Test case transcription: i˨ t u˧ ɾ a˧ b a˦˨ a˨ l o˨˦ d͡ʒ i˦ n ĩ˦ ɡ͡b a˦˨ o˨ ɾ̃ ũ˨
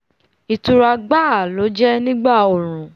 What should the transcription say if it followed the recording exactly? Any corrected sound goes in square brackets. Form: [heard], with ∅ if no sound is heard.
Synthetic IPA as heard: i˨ t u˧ ɾ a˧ [ɡ͡b] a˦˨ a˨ l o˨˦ d͡ʒ [ɛ˦] n ĩ˦ ɡ͡b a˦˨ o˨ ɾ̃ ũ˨